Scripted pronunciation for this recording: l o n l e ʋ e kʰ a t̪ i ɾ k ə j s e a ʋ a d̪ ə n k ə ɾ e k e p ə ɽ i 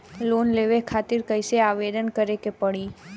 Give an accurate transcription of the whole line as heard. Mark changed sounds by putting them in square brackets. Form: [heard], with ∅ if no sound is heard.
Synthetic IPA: l o n l e ʋ e kʰ a t̪ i ɾ k ə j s e a ʋ [e] d̪ ə n k ə ɾ e k e p ə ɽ i